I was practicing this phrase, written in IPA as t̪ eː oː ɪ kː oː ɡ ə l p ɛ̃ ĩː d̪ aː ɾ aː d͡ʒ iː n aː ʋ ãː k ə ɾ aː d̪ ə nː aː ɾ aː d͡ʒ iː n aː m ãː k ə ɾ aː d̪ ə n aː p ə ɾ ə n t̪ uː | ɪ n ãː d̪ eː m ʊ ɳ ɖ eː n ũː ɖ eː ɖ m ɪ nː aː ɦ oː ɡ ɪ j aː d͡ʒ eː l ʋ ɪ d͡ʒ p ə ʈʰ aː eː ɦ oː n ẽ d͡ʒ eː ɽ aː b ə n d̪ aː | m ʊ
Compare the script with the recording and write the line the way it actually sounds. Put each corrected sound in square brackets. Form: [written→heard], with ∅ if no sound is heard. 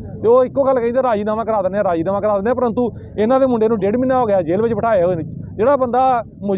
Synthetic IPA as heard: t̪ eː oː ɪ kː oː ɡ ə l [p→k] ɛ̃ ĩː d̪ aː ɾ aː d͡ʒ iː n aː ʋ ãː k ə ɾ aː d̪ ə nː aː ɾ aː d͡ʒ iː n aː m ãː k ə ɾ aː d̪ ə n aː p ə ɾ ə n t̪ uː | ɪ n ãː d̪ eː m ʊ ɳ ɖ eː n ũː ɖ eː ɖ m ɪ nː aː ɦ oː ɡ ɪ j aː d͡ʒ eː l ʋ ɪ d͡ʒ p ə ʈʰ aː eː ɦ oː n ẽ d͡ʒ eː ɽ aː b ə n d̪ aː | m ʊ